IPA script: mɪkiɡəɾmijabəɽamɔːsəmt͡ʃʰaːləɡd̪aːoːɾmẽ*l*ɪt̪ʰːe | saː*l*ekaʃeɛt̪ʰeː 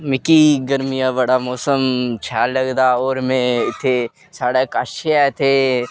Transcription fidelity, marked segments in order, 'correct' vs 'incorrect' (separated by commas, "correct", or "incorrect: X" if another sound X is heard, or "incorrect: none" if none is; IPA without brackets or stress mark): incorrect: none, incorrect: ɽ